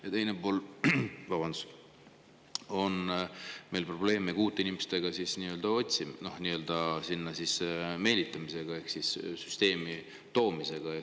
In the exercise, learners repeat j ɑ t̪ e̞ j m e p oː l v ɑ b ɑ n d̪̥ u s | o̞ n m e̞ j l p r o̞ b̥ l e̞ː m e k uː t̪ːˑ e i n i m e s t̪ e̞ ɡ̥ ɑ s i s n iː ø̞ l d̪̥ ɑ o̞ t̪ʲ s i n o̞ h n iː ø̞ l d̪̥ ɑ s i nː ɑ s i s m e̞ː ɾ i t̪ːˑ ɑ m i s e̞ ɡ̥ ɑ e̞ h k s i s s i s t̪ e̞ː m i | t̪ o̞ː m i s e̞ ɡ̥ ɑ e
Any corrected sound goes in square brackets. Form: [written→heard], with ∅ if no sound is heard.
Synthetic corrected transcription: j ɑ t̪ e̞ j [m→n] e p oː l v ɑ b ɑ n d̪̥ u s | o̞ n m e̞ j l p r o̞ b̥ l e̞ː m e k uː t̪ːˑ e i n i m e s t̪ e̞ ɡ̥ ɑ s i s n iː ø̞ l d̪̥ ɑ o̞ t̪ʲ s i n o̞ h n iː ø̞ l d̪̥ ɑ s i nː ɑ s i s m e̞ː [ɾ→l] i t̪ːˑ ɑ m i s e̞ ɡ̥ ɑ e̞ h k s i s s [i→y] s t̪ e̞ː m i | t̪ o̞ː m i s e̞ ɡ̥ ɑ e